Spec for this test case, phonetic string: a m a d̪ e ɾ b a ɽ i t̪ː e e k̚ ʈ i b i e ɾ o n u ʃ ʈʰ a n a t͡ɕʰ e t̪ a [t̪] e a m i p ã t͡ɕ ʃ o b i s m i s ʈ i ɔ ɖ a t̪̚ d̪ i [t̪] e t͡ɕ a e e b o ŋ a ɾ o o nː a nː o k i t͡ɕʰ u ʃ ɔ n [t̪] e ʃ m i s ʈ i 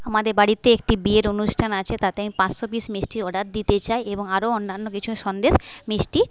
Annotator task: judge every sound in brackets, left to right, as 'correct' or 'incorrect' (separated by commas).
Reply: correct, correct, incorrect